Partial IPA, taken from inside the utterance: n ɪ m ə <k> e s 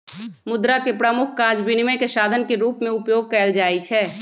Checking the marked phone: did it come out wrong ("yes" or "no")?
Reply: no